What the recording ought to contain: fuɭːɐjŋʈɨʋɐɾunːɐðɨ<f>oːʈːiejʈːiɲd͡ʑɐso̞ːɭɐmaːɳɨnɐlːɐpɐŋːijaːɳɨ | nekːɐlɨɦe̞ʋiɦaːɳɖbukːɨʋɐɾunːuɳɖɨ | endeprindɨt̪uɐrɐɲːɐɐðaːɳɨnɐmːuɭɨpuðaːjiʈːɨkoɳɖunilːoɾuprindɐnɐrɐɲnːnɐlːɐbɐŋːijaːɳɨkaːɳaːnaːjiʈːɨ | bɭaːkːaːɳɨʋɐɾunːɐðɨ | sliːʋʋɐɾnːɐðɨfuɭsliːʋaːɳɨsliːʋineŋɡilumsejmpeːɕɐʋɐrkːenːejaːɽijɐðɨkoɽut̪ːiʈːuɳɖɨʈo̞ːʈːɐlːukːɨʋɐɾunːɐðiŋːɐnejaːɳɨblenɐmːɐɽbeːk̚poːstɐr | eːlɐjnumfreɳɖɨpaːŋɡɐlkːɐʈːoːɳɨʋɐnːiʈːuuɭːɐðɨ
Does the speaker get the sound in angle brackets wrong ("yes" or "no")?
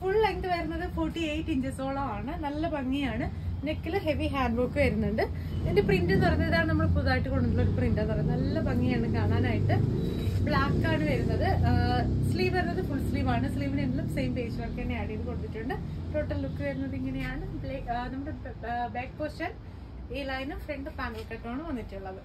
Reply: no